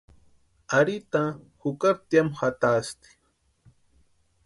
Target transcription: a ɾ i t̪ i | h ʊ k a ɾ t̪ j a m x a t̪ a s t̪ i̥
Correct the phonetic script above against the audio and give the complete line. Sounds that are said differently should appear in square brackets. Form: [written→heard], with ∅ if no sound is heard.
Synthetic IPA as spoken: a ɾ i t̪ [i→a] | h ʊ k a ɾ t̪ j a m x a t̪ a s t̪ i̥